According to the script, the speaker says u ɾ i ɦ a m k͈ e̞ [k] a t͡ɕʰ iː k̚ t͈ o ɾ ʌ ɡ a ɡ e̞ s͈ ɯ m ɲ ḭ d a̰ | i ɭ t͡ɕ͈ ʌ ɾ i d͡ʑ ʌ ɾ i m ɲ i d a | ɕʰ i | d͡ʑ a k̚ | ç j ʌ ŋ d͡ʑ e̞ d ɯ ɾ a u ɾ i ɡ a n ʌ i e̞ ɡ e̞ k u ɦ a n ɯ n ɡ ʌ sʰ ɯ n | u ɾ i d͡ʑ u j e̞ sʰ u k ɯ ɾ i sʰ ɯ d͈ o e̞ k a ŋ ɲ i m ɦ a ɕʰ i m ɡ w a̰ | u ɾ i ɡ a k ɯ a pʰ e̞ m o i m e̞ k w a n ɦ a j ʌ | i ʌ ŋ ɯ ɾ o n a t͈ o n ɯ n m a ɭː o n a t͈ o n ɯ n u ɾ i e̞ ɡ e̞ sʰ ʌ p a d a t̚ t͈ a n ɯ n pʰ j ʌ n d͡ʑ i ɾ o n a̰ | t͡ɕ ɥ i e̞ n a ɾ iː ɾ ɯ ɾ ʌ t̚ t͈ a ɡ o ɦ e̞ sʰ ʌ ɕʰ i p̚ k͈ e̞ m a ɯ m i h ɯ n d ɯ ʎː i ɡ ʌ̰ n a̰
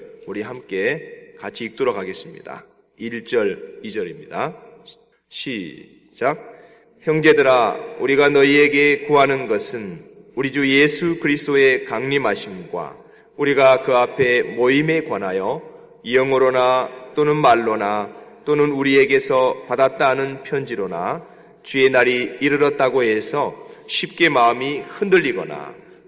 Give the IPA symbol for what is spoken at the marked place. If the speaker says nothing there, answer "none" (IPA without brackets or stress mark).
k